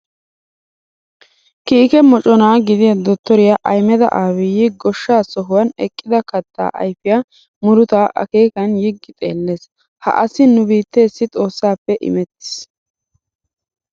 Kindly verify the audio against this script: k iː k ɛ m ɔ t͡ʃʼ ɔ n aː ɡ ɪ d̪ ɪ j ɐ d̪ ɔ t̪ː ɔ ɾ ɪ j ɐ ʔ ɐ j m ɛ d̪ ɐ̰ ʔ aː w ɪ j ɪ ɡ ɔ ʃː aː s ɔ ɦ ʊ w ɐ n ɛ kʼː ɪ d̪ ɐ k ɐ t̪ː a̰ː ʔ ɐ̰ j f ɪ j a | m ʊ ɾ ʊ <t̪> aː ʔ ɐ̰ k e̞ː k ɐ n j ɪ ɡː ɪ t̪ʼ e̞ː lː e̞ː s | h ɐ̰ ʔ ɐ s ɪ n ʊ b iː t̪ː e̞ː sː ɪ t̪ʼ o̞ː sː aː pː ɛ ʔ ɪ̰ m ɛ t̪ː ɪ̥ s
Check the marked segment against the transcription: correct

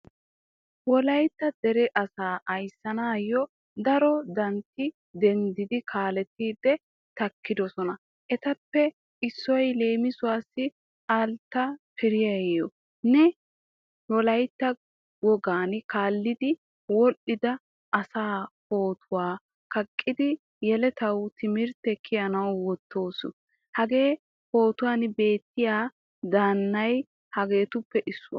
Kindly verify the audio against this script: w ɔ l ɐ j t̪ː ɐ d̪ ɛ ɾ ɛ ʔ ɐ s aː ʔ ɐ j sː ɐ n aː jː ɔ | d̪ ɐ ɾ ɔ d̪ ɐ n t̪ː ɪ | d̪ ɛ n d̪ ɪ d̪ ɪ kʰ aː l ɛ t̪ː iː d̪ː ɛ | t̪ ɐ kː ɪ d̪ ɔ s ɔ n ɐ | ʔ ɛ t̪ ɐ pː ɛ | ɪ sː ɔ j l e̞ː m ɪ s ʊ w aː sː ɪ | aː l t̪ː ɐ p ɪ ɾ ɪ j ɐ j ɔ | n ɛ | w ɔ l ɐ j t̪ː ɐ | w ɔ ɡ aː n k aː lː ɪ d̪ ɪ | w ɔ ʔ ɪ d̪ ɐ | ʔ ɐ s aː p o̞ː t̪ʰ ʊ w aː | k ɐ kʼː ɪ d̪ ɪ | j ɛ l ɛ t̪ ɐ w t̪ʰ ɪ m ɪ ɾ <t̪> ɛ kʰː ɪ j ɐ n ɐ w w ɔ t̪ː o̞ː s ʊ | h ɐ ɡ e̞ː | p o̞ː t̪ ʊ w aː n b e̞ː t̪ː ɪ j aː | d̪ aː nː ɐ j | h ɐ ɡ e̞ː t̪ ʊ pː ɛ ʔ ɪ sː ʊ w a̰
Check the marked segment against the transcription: correct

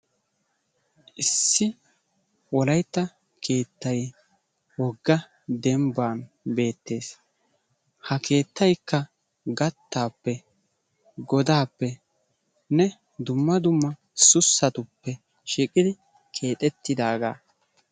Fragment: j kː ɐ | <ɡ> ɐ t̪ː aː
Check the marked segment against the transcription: correct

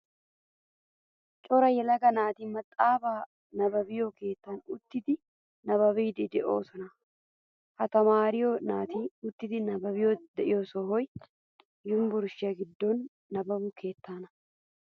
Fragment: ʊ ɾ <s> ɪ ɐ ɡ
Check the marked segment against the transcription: incorrect: ʃ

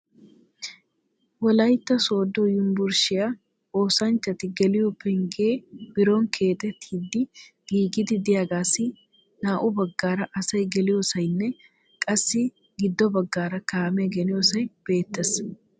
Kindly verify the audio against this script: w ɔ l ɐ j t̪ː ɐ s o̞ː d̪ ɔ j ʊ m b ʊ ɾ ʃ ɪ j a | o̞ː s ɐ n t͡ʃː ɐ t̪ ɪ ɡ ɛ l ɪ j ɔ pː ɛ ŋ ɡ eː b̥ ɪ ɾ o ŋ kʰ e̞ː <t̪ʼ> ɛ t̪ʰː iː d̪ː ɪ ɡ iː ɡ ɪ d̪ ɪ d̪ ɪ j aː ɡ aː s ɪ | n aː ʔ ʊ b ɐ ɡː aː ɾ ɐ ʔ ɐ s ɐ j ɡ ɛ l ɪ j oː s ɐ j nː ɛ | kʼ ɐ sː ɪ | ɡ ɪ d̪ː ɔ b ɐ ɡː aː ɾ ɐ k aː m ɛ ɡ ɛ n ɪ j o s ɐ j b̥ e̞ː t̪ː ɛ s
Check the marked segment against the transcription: incorrect: t̪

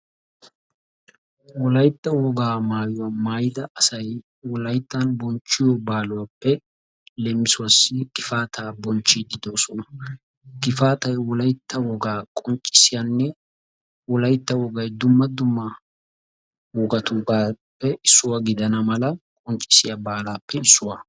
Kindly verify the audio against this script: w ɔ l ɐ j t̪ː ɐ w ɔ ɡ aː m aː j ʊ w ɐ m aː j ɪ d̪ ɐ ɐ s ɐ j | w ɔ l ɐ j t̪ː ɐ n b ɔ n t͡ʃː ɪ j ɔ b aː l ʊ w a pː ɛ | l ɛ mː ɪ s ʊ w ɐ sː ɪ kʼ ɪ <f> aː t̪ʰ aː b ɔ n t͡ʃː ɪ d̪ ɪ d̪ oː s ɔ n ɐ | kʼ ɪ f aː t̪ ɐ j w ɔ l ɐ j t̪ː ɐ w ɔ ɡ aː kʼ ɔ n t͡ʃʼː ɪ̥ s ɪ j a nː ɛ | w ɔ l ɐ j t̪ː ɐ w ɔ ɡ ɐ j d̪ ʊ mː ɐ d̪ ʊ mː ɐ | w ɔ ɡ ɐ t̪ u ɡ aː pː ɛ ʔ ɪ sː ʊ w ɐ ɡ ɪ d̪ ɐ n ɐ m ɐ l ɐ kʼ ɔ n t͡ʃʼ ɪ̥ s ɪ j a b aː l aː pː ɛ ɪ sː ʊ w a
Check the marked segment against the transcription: correct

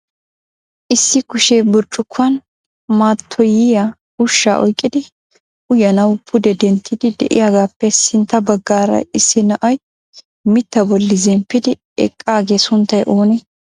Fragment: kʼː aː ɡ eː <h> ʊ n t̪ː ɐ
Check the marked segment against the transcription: incorrect: s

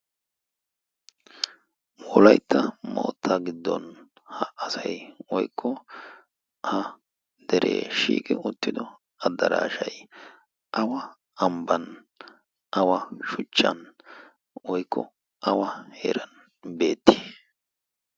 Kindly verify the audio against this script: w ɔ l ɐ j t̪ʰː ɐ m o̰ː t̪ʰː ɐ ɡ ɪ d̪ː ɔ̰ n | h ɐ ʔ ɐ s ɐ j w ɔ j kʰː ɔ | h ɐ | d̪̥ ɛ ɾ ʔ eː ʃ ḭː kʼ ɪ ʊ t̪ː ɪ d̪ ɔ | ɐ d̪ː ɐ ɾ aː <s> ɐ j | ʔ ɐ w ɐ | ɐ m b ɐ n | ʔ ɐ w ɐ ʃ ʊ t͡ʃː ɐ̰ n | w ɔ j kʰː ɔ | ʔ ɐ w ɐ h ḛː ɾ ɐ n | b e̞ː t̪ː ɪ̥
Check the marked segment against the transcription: incorrect: ʃ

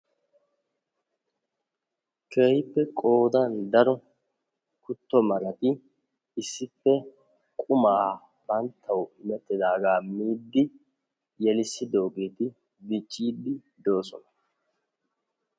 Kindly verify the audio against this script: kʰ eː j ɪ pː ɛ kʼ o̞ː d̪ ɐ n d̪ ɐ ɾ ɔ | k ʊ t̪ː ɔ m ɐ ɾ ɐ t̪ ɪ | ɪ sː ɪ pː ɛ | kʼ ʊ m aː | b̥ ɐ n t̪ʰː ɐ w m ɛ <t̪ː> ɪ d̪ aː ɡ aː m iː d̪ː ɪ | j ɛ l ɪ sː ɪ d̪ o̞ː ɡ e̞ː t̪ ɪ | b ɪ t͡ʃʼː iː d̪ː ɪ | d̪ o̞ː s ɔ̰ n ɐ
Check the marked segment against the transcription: incorrect: t̪ʼː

